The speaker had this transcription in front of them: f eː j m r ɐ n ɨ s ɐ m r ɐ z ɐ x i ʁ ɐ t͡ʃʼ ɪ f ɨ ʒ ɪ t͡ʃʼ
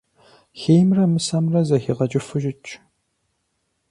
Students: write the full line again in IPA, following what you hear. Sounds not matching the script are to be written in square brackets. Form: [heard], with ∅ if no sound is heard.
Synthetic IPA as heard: [x] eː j m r ɐ [m] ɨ s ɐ m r ɐ z ɐ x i ʁ ɐ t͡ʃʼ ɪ f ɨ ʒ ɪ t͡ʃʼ

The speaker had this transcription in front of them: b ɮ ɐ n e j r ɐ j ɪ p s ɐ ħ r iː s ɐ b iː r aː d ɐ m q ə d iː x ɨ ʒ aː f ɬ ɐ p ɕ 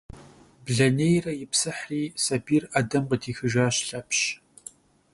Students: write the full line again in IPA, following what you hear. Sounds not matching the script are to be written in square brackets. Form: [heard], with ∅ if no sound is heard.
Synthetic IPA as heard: b ɮ ɐ n e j r ɐ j ɪ p s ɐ ħ r iː s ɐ b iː r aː d ɐ m q ə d iː x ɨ ʒ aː [ɕ] ɬ ɐ p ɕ

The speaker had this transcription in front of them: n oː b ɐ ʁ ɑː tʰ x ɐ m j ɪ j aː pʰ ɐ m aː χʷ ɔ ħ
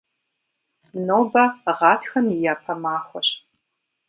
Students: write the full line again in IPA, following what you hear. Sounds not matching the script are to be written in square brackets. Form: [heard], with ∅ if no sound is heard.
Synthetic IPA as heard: n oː b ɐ ʁ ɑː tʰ x ɐ m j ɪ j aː pʰ ɐ m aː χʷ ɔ [ɕ]

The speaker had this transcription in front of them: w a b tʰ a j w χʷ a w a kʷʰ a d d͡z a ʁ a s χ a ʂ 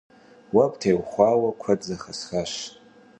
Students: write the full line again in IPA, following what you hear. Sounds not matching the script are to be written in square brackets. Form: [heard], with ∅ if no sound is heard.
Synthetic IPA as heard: w a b tʰ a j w χʷ a w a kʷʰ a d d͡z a [χ] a s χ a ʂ

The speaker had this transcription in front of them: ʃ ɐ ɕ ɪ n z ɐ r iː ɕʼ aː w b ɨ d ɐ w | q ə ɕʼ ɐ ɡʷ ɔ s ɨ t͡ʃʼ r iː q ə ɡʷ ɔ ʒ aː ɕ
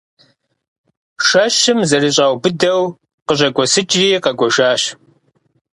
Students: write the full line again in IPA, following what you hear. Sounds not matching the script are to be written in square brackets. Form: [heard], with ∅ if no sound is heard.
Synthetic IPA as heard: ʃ ɐ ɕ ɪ [m] z ɐ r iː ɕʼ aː w b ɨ d ɐ w | q ə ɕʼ ɐ ɡʷ ɔ s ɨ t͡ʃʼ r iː q [ɐ] ɡʷ ɔ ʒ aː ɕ

